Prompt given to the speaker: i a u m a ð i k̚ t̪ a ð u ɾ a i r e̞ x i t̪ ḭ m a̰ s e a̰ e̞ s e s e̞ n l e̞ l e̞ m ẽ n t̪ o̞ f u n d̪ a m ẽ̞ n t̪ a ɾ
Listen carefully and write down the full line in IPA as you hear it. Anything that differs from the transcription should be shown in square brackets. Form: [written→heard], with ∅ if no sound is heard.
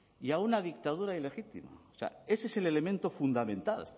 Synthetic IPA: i a u [m→n] a ð i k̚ t̪ a ð u ɾ a i [r→l] e̞ x i t̪ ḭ m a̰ s e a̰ e̞ s e s e̞ [n→∅] l e̞ l e̞ m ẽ n t̪ o̞ f u n d̪ a m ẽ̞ n t̪ a [ɾ→l]